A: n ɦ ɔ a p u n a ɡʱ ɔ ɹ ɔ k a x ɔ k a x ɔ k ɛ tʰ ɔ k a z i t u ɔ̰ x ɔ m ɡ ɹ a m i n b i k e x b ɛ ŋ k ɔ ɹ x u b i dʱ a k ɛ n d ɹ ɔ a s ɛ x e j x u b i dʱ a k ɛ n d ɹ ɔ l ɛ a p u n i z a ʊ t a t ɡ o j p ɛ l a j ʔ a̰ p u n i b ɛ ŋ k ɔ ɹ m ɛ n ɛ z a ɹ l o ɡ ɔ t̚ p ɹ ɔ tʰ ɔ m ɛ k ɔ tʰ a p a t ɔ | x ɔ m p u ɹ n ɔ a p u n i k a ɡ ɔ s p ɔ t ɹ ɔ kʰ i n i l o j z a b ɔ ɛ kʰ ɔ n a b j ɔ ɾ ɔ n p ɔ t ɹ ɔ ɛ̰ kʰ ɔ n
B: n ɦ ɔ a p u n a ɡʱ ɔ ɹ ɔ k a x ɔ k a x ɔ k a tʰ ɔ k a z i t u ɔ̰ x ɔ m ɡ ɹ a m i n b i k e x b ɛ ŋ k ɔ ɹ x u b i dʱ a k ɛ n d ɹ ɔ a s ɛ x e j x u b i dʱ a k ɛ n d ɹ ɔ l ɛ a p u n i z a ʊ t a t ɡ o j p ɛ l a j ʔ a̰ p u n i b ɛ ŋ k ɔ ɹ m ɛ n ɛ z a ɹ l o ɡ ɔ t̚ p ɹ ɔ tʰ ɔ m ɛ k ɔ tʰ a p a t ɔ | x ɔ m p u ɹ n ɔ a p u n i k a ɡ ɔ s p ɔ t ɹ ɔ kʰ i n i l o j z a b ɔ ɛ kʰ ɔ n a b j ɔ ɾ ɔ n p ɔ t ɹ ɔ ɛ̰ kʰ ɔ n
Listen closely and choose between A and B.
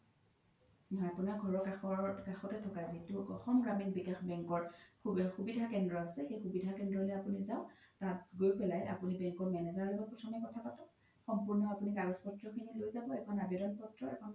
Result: A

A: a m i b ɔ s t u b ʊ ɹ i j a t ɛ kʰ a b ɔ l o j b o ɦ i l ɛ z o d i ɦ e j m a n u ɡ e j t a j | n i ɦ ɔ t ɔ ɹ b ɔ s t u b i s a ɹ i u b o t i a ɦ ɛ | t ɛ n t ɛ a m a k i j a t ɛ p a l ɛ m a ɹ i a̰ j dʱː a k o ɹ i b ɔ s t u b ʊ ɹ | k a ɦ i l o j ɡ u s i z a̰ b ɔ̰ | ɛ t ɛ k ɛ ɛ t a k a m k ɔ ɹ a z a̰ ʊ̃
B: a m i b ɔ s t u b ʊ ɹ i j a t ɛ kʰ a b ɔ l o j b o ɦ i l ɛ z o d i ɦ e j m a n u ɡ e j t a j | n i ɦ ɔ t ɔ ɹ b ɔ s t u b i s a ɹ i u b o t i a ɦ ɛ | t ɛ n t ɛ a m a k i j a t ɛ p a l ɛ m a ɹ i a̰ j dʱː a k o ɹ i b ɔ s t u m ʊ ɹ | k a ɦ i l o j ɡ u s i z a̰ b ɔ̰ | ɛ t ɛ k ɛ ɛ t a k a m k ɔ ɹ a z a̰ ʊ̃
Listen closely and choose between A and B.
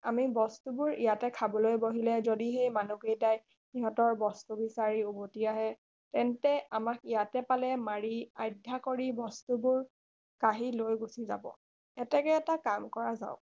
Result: A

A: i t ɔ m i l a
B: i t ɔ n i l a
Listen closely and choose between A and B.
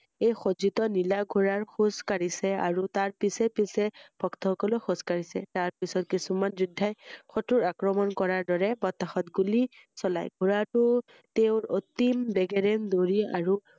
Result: B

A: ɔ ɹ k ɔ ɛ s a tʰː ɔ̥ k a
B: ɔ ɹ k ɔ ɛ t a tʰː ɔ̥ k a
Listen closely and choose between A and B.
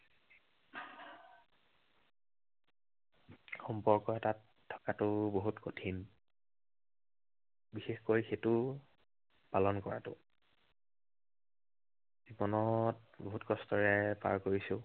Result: B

